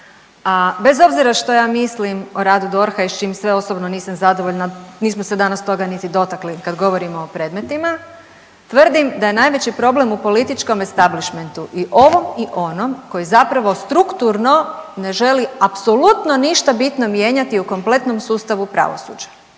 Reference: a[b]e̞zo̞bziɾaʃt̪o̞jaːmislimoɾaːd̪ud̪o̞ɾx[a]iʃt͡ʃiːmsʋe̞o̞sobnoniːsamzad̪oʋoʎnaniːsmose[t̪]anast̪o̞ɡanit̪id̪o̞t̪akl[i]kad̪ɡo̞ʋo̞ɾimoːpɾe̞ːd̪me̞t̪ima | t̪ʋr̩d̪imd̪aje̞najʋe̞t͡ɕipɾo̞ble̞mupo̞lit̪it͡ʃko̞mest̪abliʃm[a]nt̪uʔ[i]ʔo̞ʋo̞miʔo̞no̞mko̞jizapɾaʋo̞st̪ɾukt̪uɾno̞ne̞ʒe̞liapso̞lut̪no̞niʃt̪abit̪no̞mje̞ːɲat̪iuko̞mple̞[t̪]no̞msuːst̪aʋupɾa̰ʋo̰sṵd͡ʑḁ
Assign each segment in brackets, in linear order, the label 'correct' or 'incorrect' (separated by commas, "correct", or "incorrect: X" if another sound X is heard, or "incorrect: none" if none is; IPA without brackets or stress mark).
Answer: correct, correct, incorrect: d̪, correct, incorrect: e, correct, correct